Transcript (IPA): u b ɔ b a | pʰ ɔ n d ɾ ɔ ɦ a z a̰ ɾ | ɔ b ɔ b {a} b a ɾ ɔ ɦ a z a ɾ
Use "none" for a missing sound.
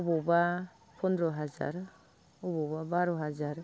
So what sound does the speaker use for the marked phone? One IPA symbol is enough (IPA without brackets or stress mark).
a